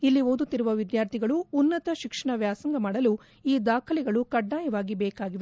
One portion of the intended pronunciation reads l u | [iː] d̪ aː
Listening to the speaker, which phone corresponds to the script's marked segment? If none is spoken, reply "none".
iː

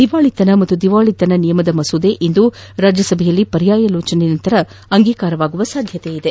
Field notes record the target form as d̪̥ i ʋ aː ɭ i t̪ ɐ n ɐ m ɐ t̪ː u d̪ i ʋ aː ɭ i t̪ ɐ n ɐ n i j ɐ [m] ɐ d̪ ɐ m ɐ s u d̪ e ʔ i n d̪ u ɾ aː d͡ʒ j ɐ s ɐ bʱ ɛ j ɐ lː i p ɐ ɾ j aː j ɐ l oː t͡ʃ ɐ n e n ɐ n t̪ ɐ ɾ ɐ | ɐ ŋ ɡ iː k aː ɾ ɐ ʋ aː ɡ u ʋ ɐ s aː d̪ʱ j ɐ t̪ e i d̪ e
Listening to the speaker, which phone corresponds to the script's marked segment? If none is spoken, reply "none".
m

